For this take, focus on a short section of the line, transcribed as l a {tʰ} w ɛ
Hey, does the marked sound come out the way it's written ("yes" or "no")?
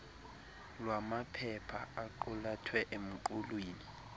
yes